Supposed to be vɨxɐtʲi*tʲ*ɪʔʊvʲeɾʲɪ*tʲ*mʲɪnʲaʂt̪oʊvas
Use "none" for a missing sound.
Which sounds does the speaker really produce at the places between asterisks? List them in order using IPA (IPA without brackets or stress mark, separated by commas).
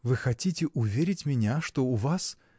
tʲ, tʲ